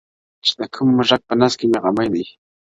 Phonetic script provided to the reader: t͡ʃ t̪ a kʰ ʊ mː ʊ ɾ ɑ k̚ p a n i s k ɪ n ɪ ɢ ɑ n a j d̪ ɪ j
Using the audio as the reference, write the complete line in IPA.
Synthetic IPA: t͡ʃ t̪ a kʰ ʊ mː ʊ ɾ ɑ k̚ p a n a s k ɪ m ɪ ɢ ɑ m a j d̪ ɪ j